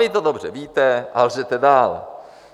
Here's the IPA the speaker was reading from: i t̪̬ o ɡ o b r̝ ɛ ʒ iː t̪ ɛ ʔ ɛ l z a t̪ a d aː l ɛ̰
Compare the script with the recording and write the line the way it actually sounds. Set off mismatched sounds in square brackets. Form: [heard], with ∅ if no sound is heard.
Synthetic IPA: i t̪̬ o [d] o b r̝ ɛ [v] iː t̪ ɛ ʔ [a] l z [ɛ] t̪ [ɛ] d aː l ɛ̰